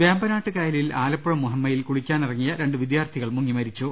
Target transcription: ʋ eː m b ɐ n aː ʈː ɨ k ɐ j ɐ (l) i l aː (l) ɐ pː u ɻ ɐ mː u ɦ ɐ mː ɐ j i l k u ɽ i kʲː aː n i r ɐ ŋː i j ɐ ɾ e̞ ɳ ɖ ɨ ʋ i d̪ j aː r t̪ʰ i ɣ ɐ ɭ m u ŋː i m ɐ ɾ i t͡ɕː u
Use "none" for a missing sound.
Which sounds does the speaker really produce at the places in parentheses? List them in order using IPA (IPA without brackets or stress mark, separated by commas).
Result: l, l